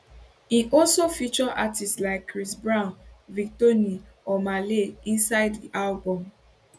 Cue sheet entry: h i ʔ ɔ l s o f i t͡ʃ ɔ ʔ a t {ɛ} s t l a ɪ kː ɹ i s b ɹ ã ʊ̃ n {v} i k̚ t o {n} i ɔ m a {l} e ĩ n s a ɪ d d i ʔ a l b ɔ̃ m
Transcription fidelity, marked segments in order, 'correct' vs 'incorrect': incorrect, correct, correct, correct

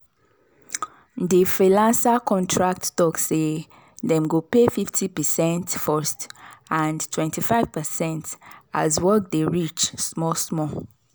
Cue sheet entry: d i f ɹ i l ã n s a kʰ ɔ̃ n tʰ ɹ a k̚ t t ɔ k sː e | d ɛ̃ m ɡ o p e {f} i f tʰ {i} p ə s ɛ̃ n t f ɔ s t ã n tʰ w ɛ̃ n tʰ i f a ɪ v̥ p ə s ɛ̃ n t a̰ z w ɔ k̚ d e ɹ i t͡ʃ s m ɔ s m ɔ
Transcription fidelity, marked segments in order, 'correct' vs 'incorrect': correct, correct

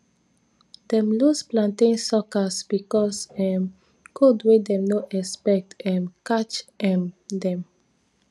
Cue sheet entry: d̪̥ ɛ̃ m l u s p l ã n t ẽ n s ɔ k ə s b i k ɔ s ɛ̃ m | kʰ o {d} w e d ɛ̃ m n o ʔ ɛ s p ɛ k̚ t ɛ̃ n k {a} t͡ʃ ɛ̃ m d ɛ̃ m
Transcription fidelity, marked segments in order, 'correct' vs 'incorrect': correct, correct

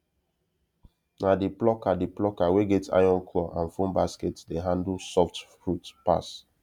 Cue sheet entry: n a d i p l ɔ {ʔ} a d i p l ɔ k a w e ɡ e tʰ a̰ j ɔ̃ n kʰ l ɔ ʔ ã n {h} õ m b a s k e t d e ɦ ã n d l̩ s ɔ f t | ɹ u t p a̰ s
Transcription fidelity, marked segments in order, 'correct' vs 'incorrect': incorrect, incorrect

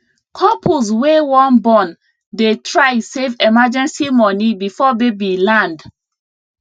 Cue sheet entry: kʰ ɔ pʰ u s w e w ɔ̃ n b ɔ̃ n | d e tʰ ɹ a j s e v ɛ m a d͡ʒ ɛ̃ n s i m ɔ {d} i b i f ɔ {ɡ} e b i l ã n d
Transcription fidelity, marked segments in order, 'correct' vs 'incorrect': incorrect, incorrect

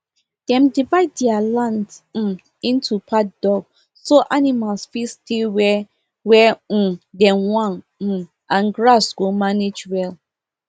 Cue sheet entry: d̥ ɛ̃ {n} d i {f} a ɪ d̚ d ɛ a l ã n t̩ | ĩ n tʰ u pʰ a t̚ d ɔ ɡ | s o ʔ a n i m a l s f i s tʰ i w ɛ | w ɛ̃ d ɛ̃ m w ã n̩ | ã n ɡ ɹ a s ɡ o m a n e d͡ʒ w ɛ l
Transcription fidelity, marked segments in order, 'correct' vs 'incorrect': incorrect, incorrect

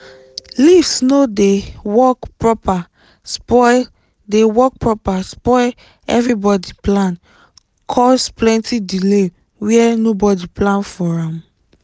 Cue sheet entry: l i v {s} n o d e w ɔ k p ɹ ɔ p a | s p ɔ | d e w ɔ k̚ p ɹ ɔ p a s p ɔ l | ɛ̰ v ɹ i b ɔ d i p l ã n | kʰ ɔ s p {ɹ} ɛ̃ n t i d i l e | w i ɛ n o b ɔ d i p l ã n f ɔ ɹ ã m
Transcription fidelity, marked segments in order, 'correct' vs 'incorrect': correct, incorrect

